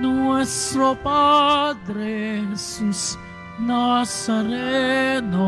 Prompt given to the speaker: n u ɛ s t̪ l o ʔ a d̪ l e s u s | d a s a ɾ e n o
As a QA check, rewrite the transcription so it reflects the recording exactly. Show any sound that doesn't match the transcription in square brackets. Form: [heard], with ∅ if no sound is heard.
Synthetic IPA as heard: n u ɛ s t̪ [ɾ] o [p] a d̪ [ɾ] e s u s | [n] a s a ɾ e n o

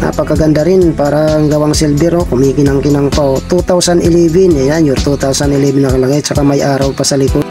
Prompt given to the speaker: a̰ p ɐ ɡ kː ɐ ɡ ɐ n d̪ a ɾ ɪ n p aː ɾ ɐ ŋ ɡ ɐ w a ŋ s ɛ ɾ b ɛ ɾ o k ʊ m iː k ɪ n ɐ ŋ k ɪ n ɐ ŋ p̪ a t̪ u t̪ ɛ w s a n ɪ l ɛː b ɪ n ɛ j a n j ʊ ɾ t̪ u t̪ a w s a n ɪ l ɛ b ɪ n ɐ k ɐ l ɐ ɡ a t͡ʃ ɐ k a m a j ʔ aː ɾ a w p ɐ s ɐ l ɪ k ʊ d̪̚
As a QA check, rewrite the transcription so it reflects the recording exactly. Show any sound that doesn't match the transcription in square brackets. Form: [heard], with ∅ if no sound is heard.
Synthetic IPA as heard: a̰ p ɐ ɡ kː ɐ ɡ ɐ n d̪ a ɾ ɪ n p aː ɾ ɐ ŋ ɡ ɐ w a ŋ s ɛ [l] b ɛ ɾ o k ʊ m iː k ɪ n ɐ ŋ k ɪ n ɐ ŋ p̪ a t̪ u t̪ [a] w s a n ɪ l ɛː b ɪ n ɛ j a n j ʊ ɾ t̪ u t̪ a w s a n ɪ l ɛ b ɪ n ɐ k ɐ l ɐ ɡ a t͡ʃ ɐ k a m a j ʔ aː ɾ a w p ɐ s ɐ l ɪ k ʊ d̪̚

